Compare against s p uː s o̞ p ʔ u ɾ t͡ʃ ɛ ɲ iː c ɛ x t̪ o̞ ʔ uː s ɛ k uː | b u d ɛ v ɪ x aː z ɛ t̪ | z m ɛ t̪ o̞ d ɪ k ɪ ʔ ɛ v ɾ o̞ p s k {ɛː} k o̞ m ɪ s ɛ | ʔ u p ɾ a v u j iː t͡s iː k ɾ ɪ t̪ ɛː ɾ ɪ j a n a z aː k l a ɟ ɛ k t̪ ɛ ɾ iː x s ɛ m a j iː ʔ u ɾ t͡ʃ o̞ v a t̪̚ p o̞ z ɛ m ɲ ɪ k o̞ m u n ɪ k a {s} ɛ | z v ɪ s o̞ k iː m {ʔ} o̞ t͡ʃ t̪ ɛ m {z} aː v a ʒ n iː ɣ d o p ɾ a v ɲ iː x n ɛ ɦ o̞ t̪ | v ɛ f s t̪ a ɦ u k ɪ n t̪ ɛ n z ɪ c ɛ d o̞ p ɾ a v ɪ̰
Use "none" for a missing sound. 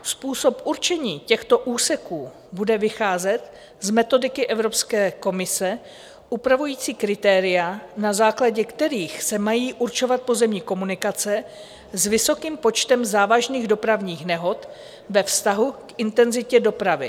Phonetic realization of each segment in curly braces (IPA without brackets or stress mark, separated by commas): ɛː, t͡s, p, z